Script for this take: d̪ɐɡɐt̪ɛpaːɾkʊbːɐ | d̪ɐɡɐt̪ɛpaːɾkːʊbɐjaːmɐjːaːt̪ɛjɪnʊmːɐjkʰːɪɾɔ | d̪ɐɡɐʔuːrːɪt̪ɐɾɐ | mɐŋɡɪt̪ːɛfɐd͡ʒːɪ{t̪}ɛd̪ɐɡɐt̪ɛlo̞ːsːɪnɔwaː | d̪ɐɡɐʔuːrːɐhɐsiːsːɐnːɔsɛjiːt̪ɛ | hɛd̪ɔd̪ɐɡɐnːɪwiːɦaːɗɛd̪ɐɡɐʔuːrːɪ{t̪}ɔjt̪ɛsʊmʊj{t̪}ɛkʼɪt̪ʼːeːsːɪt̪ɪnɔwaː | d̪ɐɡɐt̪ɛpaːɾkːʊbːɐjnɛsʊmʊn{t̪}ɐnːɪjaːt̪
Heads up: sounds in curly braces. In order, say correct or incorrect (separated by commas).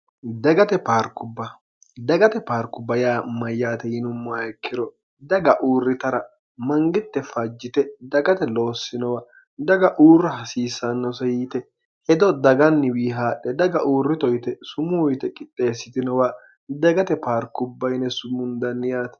correct, correct, correct, incorrect